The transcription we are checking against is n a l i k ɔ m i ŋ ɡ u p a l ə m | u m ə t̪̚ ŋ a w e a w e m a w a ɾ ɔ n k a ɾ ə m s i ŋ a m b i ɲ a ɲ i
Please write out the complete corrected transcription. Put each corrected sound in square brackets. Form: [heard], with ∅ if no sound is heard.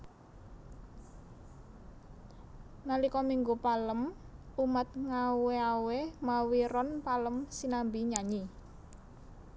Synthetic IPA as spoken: n a l i k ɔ m i ŋ ɡ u p a l ə m | u m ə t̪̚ ŋ a w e a w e m a w [i] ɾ ɔ n [p] a [l] ə m s i [n] a m b i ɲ a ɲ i